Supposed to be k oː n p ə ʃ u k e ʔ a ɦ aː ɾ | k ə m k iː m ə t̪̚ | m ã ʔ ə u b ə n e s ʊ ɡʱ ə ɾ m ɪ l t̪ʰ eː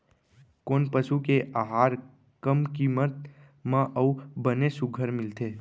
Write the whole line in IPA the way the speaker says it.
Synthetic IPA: k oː n p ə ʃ u k e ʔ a ɦ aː ɾ | k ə m k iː m ə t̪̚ | m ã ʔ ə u b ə n e s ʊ ɡʱ ə ɾ m ɪ l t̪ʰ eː